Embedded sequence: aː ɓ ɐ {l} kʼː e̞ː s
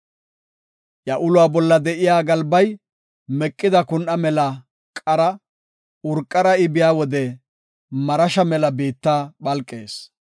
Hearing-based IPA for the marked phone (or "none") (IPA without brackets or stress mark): l